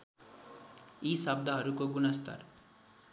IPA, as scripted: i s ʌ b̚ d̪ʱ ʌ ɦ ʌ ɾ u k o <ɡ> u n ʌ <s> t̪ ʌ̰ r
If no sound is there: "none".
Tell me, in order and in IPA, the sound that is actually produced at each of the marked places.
ɡ, s

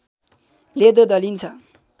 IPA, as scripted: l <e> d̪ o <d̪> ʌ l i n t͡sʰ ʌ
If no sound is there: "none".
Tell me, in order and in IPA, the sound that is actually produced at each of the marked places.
e, d̪

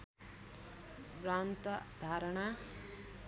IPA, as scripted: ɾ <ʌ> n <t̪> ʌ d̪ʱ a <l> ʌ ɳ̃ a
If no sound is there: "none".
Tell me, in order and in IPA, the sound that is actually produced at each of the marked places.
a, t̪, ɾ

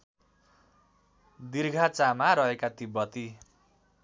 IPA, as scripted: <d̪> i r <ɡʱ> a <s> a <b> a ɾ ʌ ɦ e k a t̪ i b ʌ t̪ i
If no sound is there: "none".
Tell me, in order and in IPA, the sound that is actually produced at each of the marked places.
d̪, ɡʱ, t͡s, m

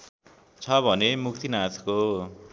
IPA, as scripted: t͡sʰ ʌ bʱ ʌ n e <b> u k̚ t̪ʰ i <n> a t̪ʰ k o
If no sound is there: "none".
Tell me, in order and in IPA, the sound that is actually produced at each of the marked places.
m, n

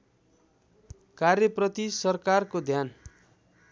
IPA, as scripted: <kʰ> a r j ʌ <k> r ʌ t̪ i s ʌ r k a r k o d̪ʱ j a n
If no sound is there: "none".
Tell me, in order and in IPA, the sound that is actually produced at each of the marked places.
k, p

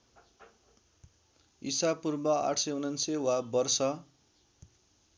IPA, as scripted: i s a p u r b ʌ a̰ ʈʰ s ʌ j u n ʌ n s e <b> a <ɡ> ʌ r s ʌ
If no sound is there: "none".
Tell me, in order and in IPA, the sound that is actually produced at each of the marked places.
w, b

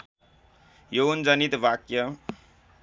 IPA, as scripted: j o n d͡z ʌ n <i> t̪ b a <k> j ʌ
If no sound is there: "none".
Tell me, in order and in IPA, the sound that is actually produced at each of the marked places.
i, k

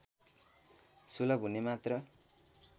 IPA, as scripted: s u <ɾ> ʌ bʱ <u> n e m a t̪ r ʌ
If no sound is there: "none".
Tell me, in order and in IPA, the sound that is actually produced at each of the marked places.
l, u

